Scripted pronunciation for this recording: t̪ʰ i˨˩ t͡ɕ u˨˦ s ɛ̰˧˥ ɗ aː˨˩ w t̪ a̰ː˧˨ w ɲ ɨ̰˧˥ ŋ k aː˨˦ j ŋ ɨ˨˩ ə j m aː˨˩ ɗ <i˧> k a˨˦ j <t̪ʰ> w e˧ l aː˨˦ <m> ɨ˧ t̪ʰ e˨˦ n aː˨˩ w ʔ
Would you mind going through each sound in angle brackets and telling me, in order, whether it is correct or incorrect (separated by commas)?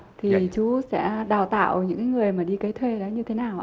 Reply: correct, correct, incorrect